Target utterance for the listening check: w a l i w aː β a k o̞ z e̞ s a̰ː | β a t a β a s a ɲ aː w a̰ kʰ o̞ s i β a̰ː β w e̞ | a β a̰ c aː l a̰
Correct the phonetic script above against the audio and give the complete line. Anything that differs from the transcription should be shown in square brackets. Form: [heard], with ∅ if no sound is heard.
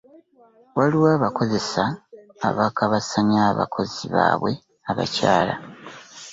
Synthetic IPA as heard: w a l i w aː β a k o̞ z e̞ s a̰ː | β a [k] a β a s a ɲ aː [β] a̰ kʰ o̞ [z] i β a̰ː β w e̞ | a β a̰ c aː l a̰